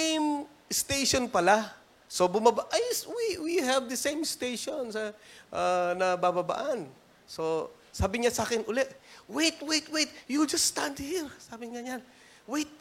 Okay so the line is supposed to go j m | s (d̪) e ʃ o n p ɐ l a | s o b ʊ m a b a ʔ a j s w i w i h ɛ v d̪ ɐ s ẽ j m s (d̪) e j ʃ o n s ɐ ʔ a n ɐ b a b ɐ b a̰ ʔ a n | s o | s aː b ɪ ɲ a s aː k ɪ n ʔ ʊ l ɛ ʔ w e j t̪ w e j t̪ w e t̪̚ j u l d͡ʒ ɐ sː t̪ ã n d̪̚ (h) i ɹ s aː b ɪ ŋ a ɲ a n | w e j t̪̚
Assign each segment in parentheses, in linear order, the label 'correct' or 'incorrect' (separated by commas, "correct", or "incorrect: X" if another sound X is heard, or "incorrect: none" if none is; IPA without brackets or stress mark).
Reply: incorrect: t̪, incorrect: t̪, correct